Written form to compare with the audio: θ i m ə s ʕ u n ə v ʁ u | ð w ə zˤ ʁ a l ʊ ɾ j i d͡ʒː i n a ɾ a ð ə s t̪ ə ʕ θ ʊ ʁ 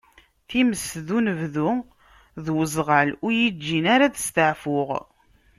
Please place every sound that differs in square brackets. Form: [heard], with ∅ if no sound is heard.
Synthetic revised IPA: θ i m ə s [ð] u n ə v [ð] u | ð w ə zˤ ʁ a l ʊ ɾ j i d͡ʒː i n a ɾ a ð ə s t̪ ə ʕ [f] ʊ ʁ